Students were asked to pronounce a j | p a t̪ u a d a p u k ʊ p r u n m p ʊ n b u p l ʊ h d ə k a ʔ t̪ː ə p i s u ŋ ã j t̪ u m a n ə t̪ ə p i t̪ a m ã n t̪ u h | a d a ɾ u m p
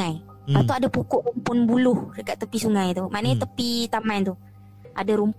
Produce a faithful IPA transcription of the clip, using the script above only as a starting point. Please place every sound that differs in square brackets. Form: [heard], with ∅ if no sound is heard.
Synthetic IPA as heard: a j | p a t̪ u a d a p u k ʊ [ʔ] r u [∅] m p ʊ n b u [∅] l ʊ h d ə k a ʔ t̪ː ə p i s u ŋ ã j t̪ u m a n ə t̪ ə p i t̪ a m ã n t̪ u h | a d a ɾ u m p